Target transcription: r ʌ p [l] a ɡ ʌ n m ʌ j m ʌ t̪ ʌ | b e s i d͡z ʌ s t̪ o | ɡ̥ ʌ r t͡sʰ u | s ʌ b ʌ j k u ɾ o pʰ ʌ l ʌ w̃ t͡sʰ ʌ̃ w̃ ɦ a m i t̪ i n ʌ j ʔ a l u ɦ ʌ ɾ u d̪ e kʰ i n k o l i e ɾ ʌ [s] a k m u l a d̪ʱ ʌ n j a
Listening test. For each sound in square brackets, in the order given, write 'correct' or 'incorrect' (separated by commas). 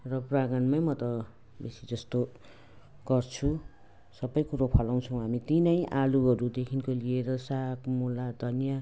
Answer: incorrect, correct